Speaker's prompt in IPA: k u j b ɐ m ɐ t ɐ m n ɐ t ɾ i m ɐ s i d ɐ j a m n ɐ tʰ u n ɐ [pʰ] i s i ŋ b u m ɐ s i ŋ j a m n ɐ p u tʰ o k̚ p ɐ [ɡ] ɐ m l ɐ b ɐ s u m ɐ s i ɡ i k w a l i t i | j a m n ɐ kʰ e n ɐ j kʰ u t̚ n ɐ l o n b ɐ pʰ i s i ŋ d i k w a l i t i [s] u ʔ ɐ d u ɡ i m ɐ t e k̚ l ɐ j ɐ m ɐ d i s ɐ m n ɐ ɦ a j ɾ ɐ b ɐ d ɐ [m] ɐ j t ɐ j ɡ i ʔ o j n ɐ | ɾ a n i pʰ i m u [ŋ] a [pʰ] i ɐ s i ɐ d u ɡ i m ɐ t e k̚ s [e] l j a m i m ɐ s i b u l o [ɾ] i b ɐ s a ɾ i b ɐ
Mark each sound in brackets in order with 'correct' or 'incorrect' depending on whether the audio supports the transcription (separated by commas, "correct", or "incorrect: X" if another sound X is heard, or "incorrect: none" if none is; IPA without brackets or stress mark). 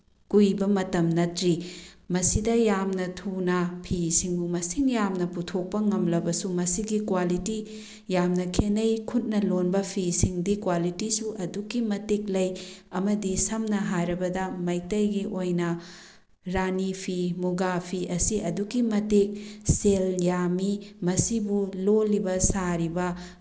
correct, incorrect: ŋ, correct, correct, incorrect: ɡ, correct, correct, incorrect: l